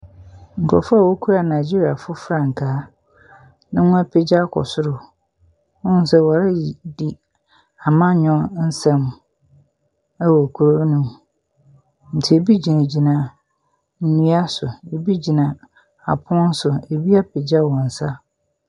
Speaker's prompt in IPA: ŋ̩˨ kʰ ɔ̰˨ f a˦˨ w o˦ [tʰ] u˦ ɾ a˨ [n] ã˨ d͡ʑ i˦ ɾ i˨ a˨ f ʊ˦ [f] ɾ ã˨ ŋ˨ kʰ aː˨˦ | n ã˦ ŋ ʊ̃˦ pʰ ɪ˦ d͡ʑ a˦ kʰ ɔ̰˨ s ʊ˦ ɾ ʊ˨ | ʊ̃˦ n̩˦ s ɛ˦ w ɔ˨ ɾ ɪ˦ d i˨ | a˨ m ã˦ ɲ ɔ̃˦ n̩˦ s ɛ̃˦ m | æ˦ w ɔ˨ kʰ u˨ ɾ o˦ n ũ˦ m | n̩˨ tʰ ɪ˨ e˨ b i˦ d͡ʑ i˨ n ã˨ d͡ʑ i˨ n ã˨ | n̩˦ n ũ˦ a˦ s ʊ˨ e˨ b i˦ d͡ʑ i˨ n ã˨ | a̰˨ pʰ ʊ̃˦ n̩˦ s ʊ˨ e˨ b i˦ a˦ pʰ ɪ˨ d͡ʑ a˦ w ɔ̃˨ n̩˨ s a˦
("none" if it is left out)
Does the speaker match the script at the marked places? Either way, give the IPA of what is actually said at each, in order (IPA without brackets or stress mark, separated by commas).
kʰ, n, f